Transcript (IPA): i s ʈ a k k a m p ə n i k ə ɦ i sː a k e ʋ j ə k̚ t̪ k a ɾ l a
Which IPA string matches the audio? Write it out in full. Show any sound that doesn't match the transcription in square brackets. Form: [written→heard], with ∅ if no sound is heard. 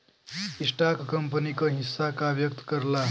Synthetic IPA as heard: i s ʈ a k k [a→ə] m p ə n i k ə ɦ i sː a k [e→a] ʋ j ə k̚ t̪ k [a→ə] ɾ l a